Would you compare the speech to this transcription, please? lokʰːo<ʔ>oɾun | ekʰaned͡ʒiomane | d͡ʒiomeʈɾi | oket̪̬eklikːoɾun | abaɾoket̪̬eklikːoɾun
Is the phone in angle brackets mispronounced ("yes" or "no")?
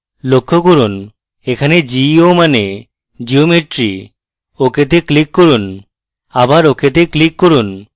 yes